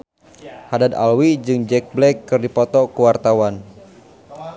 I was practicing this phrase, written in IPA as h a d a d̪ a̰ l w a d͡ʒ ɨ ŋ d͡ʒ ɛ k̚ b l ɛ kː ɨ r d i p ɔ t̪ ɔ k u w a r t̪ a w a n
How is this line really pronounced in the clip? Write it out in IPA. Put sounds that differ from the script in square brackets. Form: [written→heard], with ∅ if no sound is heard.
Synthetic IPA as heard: h a d a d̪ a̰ l w [a→i] d͡ʒ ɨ ŋ d͡ʒ ɛ k̚ b l ɛ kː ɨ r d i p ɔ t̪ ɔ k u w a r t̪ a w a n